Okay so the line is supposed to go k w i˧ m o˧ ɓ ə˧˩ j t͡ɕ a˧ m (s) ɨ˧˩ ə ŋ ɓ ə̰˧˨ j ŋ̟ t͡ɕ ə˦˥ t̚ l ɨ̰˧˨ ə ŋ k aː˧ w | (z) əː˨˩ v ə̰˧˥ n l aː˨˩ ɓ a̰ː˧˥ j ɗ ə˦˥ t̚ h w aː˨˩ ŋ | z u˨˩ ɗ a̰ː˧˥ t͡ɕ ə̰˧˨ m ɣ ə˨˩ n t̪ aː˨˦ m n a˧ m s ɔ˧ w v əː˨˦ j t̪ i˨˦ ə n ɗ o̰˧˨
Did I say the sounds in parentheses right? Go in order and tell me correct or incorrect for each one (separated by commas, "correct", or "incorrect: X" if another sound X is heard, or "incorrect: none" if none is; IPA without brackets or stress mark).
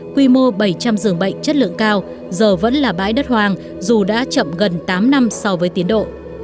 incorrect: z, correct